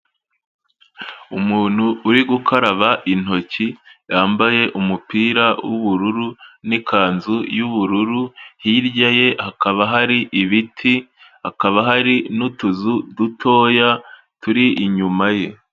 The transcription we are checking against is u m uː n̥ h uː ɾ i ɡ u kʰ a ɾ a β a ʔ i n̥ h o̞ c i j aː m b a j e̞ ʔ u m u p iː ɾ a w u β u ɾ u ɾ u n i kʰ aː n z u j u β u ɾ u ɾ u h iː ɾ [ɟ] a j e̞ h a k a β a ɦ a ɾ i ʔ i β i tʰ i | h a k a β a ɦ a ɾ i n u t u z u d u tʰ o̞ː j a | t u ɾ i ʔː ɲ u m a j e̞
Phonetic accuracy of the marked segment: correct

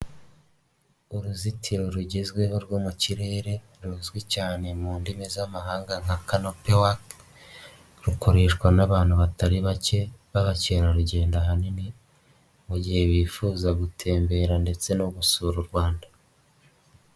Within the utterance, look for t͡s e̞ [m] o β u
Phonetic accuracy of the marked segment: incorrect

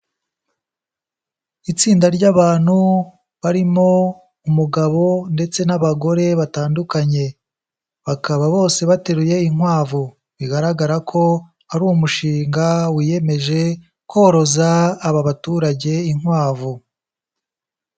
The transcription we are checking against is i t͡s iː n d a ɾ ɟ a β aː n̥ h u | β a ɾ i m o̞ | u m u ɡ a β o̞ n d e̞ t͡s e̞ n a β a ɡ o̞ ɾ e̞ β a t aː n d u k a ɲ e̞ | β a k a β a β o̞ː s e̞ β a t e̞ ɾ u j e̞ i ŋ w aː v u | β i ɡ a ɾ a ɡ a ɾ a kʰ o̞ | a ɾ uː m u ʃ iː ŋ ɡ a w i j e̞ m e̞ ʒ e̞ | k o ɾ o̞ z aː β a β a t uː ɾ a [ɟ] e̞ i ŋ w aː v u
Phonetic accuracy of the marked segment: correct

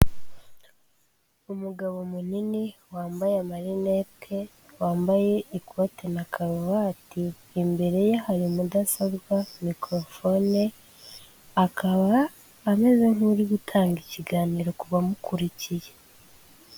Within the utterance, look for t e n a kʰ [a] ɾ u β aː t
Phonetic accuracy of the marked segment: correct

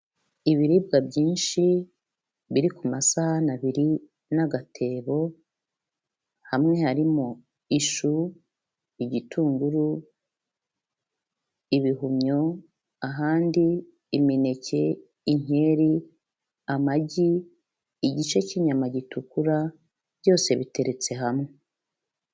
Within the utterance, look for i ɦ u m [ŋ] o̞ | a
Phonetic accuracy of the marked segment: incorrect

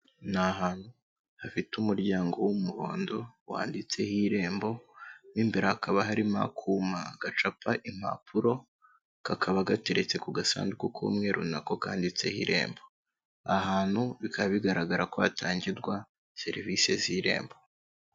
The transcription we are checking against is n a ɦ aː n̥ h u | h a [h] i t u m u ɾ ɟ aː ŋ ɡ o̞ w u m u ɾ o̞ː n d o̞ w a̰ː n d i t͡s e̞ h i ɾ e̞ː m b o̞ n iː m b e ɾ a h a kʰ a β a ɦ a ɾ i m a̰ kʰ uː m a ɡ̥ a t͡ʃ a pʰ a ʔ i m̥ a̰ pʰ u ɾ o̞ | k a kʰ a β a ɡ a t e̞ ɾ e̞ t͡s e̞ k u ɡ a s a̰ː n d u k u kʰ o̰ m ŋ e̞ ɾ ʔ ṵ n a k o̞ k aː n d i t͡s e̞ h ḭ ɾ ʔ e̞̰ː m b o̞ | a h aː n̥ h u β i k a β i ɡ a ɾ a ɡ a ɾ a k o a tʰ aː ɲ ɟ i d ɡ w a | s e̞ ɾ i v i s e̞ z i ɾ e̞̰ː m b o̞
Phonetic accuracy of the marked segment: incorrect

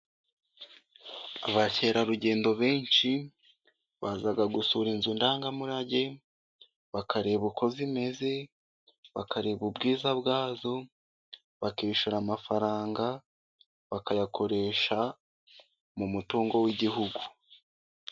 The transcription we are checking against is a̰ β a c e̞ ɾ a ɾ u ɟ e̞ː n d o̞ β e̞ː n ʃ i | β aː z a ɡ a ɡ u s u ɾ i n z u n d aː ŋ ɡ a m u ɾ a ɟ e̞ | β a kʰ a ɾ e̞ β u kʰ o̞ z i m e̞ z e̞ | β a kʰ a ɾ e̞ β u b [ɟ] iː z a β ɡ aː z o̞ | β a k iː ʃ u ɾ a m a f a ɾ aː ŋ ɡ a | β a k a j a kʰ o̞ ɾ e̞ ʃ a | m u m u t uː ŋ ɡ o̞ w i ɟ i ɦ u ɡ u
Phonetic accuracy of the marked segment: incorrect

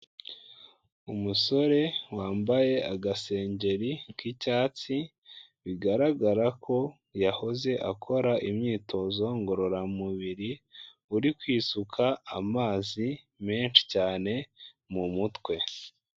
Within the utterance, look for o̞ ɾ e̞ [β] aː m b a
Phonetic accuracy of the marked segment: incorrect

